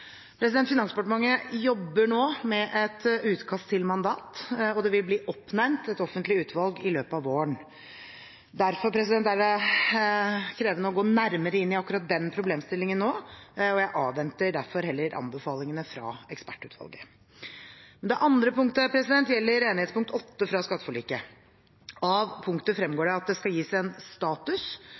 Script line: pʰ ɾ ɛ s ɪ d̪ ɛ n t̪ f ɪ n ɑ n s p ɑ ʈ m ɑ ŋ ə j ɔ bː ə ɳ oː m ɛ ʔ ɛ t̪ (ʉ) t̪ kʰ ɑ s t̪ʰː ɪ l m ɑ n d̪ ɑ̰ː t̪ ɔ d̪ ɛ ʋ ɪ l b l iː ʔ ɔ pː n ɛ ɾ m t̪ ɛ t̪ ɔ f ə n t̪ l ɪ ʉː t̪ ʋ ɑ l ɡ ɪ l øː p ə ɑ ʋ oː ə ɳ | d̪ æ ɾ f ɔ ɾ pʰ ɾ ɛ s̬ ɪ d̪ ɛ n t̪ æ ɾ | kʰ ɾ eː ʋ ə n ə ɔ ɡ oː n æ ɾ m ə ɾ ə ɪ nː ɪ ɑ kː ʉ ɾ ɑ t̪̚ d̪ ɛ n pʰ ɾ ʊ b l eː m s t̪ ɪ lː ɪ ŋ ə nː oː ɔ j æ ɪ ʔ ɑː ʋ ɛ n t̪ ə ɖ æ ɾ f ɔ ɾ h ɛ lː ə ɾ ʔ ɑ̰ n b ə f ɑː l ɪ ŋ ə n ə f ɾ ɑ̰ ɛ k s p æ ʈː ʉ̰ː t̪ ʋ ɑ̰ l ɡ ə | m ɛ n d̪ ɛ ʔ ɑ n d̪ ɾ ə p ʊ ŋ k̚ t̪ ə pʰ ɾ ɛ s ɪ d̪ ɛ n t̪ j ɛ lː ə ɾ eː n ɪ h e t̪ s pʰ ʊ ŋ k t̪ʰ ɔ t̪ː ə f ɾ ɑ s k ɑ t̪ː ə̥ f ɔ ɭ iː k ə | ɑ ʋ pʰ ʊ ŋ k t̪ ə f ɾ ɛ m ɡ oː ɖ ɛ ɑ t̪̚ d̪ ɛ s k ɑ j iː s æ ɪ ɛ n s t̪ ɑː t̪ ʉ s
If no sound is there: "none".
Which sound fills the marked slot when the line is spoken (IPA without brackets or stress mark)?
ʉː